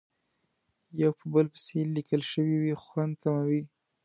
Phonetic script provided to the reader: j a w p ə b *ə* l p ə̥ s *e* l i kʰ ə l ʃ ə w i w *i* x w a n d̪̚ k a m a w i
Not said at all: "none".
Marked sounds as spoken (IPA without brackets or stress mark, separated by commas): ə, e, i